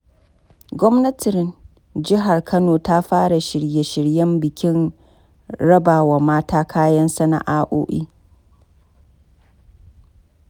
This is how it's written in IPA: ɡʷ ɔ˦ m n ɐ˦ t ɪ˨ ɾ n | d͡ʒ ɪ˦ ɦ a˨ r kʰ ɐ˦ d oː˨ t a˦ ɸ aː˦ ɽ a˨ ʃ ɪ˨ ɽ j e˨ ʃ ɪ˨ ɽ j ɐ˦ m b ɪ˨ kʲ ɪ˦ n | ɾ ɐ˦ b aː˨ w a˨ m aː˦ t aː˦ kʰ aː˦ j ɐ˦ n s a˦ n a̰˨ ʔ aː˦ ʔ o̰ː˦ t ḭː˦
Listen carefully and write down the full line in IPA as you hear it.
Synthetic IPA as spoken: ɡʷ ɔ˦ m n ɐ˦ t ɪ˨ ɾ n | d͡ʒ ɪ˦ ɦ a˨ r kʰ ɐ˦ n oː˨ t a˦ ɸ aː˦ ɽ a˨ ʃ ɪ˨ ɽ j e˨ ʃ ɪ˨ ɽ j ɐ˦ m b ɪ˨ kʲ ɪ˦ n | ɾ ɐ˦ b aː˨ w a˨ m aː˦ t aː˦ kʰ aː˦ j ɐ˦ n s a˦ n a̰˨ ʔ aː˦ ʔ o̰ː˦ ʔ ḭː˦